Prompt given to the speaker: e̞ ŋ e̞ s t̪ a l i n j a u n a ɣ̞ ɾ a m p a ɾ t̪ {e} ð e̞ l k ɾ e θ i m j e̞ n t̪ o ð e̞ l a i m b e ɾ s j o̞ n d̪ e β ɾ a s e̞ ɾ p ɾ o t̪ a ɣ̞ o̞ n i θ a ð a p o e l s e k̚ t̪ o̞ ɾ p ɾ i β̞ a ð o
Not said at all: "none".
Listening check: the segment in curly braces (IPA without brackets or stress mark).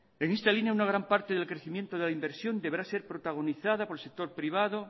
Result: e